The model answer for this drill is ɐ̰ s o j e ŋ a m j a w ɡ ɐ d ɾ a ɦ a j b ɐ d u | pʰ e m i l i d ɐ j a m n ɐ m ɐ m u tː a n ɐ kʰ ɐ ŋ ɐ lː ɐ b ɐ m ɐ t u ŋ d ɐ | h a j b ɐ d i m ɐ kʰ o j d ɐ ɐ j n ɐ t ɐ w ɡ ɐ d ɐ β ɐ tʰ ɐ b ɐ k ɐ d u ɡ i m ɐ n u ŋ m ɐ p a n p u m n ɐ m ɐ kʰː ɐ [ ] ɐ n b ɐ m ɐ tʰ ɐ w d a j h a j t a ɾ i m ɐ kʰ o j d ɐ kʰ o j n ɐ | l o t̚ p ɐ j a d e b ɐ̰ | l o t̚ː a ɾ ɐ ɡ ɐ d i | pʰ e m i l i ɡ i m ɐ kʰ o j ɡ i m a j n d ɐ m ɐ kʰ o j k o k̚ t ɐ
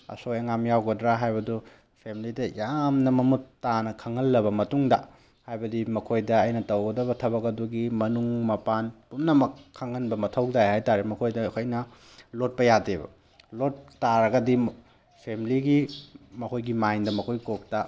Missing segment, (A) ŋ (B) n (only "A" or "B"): A